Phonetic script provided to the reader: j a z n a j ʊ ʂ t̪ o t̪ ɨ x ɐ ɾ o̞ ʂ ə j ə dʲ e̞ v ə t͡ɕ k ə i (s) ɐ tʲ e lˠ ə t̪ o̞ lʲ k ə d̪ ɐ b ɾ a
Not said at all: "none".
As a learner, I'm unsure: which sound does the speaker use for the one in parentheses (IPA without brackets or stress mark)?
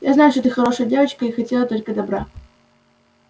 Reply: x